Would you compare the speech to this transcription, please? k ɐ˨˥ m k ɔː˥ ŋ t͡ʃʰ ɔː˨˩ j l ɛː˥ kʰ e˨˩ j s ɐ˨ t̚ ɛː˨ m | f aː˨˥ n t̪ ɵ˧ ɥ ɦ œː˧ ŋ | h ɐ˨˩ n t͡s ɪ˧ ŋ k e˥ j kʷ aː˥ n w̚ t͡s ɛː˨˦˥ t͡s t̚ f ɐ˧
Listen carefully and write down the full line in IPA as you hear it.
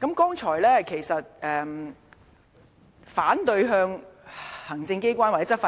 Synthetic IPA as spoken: k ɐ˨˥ m k ɔː˥ ŋ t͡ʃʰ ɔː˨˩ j l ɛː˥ kʰ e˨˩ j s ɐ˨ t̚ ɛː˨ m | f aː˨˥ n t̪ ɵ˧ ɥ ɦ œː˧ ŋ | h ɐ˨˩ ŋ t͡s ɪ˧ ŋ k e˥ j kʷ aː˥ n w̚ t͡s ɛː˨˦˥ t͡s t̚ f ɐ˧